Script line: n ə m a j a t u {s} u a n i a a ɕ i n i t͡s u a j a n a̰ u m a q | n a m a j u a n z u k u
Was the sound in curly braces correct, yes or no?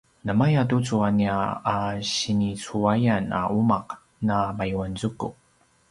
no